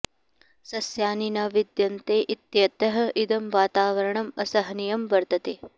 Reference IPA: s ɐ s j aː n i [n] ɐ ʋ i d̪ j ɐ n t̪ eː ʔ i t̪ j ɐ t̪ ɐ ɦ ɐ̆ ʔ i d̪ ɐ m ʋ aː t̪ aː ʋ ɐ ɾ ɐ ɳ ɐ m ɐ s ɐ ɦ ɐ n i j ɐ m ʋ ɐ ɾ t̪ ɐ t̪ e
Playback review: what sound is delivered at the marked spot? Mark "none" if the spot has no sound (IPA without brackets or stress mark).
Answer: n